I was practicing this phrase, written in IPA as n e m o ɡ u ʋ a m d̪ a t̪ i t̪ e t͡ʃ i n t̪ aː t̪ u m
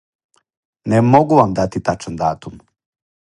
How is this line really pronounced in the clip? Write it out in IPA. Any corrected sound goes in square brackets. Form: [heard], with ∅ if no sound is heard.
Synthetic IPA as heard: n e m o ɡ u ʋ a m d̪ a t̪ i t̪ [a] t͡ʃ [a] n [d̪] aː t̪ u m